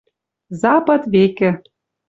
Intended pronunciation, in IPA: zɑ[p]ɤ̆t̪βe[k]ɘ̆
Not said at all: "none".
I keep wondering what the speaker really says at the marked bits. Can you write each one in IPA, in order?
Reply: p, k

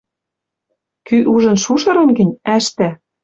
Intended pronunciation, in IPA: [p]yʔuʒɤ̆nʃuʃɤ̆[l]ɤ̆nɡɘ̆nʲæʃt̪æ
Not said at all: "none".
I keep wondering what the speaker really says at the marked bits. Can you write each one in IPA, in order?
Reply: k, ɾ

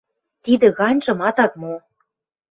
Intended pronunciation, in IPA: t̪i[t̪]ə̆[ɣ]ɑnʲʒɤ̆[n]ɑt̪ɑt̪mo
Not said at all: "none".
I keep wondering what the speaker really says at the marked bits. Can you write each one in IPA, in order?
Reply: d̪, ɣ, m

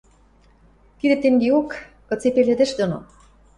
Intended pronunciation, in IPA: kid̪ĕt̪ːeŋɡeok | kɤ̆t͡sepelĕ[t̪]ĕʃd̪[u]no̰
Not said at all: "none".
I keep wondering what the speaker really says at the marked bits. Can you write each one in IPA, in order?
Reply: d̪, o

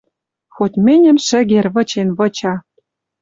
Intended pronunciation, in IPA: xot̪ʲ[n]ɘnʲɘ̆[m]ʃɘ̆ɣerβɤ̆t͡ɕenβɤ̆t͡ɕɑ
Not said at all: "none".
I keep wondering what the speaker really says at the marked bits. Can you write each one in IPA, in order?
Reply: m, m

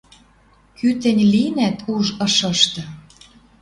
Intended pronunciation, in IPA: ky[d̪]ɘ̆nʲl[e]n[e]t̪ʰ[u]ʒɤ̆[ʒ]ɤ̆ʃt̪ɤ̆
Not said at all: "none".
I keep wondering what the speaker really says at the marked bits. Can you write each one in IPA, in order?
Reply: t̪, i, æ, u, ʃ

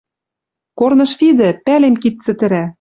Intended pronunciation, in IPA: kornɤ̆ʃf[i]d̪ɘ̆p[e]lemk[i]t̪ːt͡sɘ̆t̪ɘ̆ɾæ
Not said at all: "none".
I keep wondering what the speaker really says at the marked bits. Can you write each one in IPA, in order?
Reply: i, æ, i

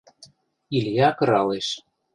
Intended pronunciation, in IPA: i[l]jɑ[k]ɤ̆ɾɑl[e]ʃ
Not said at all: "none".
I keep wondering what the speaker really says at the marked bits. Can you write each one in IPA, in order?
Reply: l, k, e

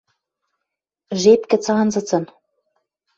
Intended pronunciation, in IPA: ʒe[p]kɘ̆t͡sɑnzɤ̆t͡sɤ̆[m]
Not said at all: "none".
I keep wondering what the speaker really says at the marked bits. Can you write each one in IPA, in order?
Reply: p, n

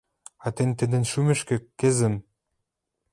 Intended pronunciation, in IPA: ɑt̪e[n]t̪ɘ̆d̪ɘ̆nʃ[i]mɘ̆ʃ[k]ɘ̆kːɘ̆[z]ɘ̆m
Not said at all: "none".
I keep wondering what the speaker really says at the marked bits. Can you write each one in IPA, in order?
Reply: n, y, k, z

